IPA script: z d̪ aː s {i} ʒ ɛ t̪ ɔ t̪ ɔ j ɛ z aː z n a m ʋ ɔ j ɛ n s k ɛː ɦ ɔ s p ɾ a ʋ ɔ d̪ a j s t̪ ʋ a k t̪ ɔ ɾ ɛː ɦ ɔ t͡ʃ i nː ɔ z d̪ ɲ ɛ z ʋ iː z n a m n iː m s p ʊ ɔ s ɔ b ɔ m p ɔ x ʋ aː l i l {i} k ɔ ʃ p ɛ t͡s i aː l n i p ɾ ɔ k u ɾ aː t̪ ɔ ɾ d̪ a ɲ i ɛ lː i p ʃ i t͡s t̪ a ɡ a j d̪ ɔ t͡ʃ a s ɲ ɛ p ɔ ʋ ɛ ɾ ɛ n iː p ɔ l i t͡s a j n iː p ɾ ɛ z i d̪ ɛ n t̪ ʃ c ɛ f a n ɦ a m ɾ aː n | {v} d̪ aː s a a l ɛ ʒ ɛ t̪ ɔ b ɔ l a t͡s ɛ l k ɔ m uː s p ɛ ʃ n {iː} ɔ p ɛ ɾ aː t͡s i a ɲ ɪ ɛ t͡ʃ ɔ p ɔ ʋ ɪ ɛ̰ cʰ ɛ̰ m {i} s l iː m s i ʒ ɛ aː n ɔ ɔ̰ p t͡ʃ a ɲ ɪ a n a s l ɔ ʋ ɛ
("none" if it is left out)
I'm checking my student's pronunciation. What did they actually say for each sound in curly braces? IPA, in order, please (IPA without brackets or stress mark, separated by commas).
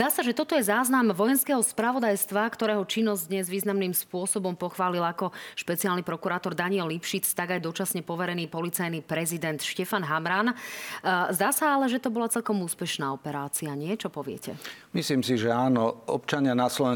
a, a, z, aː, i